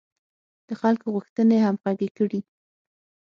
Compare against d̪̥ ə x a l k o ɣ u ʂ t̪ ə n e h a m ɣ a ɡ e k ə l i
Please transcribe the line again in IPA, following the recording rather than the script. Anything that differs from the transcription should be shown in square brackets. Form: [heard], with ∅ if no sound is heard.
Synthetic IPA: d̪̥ ə x a l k o ɣ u [x] t̪ ə n e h a m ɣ a ɡ e k ə [ɽ] i